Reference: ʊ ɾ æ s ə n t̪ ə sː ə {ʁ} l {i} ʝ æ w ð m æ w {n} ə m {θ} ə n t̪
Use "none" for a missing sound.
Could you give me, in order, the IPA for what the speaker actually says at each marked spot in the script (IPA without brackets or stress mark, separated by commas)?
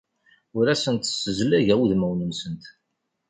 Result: z, æ, n, s